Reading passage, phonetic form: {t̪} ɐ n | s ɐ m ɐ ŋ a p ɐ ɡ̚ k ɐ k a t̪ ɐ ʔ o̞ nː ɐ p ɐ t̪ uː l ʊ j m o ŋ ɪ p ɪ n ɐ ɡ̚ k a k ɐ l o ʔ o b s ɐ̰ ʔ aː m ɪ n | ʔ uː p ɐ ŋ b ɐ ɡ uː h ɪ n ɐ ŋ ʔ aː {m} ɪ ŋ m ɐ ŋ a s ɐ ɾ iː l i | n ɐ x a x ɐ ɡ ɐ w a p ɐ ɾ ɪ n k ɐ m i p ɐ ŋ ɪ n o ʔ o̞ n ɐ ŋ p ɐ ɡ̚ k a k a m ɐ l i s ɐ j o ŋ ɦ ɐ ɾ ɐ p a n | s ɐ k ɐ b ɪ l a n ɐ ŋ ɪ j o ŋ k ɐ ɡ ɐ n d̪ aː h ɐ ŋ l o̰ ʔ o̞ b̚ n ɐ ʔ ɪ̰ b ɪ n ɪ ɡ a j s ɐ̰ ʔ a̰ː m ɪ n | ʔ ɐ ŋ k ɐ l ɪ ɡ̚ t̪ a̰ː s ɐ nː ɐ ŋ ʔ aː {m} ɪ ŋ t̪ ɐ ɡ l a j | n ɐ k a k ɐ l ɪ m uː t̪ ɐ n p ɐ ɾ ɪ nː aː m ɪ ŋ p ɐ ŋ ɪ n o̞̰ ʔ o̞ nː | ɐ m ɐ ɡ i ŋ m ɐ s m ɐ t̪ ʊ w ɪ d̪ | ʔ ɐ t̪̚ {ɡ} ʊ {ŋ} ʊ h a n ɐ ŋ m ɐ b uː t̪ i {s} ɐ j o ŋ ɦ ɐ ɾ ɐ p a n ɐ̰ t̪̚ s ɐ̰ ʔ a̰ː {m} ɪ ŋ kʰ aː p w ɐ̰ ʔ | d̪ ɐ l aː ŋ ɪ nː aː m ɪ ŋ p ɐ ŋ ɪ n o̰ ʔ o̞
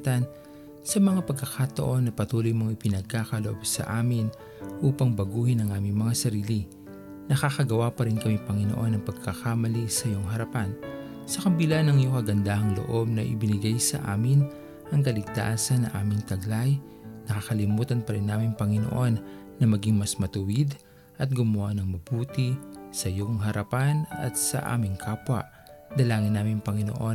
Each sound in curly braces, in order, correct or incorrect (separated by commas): correct, correct, correct, correct, incorrect, correct, correct